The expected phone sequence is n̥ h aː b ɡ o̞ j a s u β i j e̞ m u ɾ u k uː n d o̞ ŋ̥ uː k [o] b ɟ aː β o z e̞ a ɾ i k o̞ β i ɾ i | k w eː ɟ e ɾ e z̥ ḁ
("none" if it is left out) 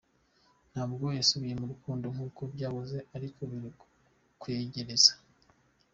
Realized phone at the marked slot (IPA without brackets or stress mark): o